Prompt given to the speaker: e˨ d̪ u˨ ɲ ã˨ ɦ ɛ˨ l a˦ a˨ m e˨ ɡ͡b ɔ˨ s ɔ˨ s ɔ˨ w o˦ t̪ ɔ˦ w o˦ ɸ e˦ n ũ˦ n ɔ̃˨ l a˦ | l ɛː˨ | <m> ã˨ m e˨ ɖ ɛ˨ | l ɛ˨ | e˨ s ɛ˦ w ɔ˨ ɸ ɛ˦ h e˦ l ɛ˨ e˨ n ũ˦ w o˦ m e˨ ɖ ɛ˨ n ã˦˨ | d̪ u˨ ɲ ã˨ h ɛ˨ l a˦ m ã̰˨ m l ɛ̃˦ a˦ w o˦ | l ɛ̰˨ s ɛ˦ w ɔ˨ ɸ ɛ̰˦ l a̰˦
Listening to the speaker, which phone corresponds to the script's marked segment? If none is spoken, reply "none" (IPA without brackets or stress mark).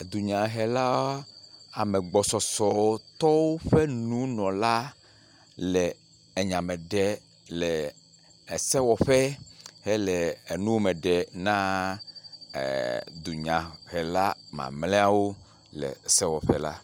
ɲ